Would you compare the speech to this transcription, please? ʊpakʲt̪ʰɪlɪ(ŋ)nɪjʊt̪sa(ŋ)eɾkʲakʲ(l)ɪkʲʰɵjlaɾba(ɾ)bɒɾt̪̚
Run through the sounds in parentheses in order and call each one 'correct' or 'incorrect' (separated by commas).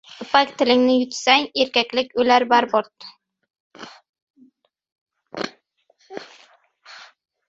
correct, correct, correct, correct